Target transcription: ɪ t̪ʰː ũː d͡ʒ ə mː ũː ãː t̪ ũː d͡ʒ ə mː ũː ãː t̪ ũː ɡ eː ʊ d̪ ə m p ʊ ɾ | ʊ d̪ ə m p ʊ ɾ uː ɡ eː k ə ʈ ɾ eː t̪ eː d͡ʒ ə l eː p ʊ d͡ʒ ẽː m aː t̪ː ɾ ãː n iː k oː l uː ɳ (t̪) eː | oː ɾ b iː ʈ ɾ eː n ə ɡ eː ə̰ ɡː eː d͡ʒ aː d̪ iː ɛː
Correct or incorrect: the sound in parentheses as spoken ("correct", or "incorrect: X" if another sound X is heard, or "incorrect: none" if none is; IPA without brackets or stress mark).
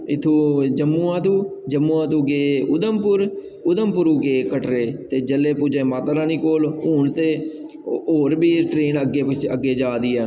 correct